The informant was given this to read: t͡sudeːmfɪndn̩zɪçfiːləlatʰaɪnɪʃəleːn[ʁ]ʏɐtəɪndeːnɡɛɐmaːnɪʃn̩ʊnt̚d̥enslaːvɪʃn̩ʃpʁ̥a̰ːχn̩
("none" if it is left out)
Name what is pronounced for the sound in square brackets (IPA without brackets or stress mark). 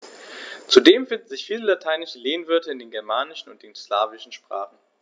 v